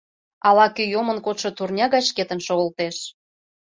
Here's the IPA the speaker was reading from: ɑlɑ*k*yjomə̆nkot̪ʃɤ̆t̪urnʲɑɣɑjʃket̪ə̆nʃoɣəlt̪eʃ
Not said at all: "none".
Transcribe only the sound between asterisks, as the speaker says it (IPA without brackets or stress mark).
k